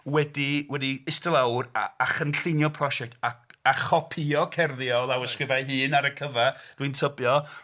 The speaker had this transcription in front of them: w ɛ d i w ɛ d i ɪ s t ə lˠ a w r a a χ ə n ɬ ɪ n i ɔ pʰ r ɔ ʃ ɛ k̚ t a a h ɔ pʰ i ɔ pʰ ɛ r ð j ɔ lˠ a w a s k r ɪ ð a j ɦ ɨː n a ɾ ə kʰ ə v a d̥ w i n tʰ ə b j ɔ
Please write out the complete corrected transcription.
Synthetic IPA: w ɛ d i w ɛ d i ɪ s t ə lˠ a w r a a χ ə n ɬ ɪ n j ɔ pʰ r ɔ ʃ ɛ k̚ t a a χ ɔ pʰ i ɔ kʰ ɛ r ð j ɔ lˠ a w ə s k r ɪ v a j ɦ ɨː n a ɾ ə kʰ ə v a d̥ w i n tʰ ə b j ɔ